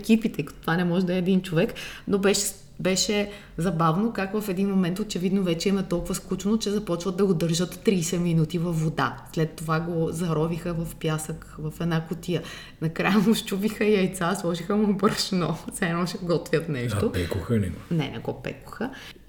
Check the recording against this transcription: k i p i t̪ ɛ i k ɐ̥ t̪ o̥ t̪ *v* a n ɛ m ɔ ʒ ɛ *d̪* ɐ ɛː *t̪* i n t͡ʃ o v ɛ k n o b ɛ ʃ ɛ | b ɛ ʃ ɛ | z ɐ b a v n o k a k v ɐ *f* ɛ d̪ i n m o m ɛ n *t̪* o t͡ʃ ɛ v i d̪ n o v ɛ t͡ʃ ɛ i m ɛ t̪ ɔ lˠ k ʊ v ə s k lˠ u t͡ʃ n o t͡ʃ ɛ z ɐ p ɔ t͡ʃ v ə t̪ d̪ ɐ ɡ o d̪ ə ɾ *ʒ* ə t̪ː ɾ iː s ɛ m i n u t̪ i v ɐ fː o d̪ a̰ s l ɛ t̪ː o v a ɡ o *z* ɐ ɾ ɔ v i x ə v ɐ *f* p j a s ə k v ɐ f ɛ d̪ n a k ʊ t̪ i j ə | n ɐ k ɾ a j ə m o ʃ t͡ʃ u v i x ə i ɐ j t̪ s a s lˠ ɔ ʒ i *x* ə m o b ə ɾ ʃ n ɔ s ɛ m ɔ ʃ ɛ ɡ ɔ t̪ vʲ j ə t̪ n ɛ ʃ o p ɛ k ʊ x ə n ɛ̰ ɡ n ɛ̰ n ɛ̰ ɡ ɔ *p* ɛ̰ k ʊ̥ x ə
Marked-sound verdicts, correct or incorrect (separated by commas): correct, correct, incorrect, correct, correct, correct, correct, correct, correct, correct